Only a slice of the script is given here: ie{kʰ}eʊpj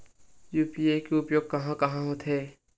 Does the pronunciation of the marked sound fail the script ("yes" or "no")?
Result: yes